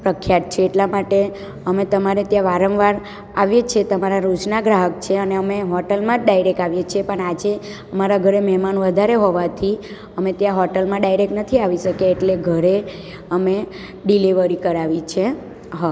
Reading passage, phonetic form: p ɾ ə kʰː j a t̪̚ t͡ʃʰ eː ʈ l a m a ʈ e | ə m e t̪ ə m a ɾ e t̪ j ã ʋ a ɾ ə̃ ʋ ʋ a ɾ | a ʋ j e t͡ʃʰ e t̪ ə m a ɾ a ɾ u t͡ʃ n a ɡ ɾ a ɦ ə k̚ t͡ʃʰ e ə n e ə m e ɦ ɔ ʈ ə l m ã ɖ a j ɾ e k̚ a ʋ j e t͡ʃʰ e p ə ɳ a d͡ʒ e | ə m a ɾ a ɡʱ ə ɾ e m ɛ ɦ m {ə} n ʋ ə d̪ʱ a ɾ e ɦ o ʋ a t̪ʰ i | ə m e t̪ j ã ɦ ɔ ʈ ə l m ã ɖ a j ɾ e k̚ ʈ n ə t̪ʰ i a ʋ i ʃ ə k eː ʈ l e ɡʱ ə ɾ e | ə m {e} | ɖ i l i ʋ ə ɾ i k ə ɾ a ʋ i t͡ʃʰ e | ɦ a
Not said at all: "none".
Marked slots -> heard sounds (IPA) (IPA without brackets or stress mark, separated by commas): a, e